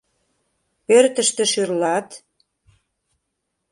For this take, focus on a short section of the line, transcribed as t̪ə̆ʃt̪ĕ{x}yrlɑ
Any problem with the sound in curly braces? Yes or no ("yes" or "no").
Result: yes